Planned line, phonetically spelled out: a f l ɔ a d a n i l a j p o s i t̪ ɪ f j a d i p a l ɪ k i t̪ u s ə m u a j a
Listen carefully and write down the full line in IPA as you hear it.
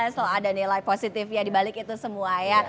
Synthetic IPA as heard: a s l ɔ a d a n i l a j p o s i t̪ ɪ f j a d i b a l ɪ k i t̪ u s ə m u a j a